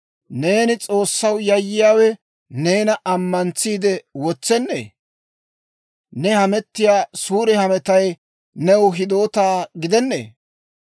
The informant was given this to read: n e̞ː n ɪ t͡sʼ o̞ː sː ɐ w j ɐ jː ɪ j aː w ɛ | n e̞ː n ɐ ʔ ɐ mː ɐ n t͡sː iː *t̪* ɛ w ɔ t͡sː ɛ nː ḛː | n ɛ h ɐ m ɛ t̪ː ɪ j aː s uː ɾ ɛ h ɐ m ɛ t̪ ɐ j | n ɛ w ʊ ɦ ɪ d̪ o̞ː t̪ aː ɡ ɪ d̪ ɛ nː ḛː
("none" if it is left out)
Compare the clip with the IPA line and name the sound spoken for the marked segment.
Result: d̪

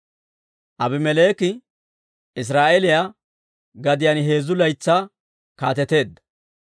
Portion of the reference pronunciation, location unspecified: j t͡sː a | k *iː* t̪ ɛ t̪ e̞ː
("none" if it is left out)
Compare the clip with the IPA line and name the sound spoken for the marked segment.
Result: aː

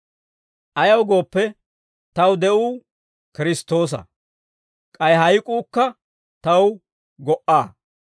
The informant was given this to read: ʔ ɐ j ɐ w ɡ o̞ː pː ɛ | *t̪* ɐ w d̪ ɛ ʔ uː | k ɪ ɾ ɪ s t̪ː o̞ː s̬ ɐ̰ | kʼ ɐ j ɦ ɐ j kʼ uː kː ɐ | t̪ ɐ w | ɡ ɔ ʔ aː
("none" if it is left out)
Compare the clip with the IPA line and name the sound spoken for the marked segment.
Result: t̪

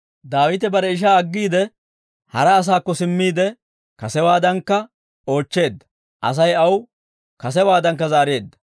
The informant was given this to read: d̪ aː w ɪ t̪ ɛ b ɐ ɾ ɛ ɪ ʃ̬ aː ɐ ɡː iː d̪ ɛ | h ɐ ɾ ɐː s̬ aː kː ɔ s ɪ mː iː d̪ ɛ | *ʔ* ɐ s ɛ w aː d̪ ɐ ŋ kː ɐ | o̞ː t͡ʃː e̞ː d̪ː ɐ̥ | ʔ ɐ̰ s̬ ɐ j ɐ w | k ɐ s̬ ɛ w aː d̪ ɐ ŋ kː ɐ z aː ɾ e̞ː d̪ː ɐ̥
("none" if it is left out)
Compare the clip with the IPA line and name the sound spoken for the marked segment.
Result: k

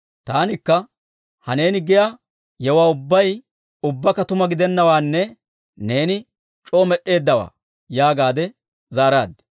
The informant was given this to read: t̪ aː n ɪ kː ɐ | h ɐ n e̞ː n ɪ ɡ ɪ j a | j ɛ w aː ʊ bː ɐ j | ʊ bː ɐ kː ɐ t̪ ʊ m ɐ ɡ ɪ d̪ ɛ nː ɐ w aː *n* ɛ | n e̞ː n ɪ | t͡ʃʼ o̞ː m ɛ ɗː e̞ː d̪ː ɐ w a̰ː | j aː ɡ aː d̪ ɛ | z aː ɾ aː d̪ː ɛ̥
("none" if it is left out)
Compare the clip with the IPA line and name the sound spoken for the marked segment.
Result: nː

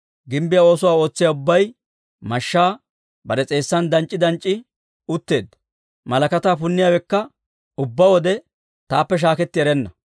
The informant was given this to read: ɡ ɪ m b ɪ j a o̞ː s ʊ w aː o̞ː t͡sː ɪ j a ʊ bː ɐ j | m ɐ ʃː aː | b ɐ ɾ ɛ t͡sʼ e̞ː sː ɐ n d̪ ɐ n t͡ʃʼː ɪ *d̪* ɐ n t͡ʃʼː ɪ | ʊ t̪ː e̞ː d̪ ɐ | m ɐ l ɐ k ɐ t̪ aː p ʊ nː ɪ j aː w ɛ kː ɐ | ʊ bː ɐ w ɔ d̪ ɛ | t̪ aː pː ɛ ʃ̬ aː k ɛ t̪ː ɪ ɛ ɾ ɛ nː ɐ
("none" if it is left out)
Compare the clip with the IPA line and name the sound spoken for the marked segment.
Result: d̪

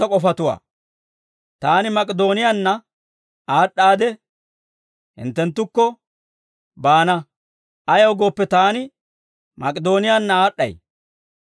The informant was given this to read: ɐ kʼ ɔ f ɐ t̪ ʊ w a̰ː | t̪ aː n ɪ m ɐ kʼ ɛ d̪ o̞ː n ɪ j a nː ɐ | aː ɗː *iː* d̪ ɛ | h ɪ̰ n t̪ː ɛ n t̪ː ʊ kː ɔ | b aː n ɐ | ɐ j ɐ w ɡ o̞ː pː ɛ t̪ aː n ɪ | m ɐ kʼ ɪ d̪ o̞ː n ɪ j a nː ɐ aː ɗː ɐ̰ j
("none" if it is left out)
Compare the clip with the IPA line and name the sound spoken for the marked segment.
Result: aː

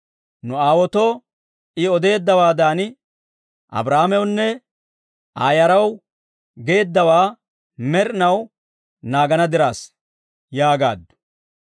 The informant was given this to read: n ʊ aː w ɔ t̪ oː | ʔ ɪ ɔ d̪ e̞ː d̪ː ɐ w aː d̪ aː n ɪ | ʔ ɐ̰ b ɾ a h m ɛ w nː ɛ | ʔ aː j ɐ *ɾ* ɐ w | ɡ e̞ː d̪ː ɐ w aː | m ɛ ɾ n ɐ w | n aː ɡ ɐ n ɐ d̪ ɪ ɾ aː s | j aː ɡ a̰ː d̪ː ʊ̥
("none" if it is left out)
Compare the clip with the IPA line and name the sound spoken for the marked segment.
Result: ɾ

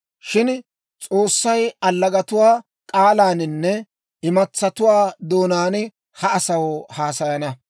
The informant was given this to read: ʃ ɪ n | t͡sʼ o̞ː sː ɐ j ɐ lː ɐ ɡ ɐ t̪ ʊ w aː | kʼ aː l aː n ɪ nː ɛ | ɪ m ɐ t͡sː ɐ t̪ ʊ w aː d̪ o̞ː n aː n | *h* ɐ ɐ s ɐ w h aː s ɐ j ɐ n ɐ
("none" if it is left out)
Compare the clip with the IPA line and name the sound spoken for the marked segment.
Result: h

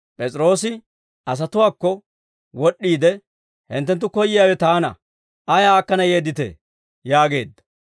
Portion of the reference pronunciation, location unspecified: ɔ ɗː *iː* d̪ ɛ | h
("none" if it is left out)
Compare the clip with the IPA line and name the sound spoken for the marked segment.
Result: iː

